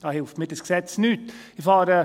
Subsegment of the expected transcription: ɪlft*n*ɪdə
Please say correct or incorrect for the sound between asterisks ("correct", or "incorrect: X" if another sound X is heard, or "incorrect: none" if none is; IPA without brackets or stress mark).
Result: incorrect: m